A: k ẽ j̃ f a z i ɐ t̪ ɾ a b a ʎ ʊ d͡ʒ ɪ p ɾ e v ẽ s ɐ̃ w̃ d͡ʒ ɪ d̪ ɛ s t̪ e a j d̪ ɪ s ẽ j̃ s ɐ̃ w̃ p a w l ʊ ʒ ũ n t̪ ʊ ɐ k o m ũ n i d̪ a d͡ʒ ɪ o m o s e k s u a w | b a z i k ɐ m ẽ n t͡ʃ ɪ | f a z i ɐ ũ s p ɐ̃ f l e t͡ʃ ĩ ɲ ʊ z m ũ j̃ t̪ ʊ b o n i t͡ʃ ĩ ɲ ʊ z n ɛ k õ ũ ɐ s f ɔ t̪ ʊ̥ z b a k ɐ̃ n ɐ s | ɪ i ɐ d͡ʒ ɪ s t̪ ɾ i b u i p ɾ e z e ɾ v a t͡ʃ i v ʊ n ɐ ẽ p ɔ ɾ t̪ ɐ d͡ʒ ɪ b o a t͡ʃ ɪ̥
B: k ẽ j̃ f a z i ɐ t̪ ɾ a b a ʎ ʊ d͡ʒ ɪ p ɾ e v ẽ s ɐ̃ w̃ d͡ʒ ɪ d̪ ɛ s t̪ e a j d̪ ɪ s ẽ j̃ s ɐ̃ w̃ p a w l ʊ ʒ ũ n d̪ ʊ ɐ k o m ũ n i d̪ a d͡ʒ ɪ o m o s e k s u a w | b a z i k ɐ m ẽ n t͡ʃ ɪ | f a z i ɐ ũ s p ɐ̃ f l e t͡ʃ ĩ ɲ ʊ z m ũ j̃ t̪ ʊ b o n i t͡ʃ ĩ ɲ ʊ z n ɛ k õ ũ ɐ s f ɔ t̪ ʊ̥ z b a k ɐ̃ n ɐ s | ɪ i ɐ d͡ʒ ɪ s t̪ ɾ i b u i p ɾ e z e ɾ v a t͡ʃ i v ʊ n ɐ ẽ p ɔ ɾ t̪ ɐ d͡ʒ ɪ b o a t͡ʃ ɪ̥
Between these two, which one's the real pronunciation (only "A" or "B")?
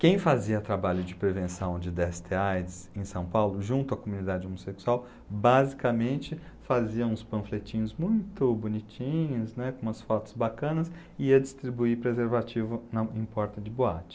A